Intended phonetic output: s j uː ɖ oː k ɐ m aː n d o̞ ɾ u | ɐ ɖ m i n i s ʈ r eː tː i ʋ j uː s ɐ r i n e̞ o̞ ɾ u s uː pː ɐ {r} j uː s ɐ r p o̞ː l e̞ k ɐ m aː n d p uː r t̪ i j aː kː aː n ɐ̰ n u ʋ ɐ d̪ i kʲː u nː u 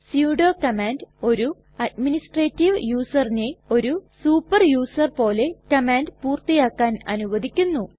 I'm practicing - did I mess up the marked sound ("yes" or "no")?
no